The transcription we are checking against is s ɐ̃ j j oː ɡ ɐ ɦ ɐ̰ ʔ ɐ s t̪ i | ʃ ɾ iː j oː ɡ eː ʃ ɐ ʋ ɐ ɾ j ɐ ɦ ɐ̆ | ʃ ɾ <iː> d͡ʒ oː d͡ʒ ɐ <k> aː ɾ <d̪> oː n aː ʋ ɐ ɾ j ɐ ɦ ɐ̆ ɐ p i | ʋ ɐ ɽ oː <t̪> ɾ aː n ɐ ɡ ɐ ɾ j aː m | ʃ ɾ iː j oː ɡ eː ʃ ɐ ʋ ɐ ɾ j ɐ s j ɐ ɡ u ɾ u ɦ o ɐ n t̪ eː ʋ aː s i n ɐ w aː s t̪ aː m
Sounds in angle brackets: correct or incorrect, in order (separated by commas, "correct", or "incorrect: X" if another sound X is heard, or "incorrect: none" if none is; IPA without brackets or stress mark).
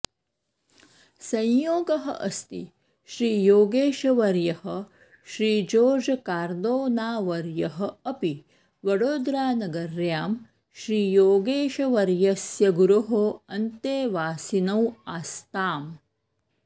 correct, correct, correct, incorrect: d̪